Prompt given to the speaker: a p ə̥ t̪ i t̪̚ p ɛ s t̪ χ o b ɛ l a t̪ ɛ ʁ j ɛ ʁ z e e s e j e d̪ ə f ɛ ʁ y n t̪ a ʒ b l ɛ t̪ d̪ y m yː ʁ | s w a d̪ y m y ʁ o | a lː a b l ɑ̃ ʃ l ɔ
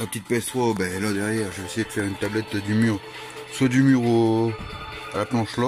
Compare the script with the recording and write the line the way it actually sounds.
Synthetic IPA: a p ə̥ t̪ i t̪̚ p ɛ s t̪ χ o b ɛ l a d̪ ɛ ʁ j ɛ ʁ ʒ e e s e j e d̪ ə f ɛ ʁ y n t̪ a b l ɛ t̪ d̪ y m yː ʁ | s w a d̪ y m y ʁ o | a l a p l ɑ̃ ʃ l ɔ